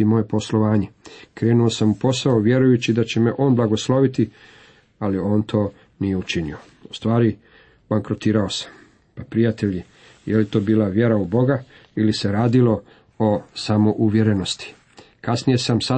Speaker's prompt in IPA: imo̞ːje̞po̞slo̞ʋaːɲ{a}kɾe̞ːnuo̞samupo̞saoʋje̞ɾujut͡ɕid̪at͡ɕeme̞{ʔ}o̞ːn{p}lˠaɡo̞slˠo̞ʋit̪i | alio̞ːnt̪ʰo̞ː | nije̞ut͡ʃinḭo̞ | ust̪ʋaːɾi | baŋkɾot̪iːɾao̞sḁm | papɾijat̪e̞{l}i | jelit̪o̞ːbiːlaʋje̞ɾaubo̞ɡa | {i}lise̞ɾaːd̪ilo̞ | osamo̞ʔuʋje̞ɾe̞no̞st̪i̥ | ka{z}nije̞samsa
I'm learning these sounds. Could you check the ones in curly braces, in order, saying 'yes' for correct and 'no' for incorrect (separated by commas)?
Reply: no, yes, no, no, yes, no